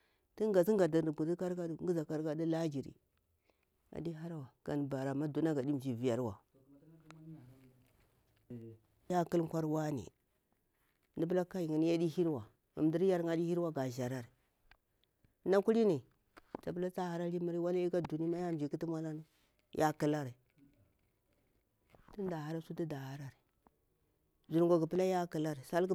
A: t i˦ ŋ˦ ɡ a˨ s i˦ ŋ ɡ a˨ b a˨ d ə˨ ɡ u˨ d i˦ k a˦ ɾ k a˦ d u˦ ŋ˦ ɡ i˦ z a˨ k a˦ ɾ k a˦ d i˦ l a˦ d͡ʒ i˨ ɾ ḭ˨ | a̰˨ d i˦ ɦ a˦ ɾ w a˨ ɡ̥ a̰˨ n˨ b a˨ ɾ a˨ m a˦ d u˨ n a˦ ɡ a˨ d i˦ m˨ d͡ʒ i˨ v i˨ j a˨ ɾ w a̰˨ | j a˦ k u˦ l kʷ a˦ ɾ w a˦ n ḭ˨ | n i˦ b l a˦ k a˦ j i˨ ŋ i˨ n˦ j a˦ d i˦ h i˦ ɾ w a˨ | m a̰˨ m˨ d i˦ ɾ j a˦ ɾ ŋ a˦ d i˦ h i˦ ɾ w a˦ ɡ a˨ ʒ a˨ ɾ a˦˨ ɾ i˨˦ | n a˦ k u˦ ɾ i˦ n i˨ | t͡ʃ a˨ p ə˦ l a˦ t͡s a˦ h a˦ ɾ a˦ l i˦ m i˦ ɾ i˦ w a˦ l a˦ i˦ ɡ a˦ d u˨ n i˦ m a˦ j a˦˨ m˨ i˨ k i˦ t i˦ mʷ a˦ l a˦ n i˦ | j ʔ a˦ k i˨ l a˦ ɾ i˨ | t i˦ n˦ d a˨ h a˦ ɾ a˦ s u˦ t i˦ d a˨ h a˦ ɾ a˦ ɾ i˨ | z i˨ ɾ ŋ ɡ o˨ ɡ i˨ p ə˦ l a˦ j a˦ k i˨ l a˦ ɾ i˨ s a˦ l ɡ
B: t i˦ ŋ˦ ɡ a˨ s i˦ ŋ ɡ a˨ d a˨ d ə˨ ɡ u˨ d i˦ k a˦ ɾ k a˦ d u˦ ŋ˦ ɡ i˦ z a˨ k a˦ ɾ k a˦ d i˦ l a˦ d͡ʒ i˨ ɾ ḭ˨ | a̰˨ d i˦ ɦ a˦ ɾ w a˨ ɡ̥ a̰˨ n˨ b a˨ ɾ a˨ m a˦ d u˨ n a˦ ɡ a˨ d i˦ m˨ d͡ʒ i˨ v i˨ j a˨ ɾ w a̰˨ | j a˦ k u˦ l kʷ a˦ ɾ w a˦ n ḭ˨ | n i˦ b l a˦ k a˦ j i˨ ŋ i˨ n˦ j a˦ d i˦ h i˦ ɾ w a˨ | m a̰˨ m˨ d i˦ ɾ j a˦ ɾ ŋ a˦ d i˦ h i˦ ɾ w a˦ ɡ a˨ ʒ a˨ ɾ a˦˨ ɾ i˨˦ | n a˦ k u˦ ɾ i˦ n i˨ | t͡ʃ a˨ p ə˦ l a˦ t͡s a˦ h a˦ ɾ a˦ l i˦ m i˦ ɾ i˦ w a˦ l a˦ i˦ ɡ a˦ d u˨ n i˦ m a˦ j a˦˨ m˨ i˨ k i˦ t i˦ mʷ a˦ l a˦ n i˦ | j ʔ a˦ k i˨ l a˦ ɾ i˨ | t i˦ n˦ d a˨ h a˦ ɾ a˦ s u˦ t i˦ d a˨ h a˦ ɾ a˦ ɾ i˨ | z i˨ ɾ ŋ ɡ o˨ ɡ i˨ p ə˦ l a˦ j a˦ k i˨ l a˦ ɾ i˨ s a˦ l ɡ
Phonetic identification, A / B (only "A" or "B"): B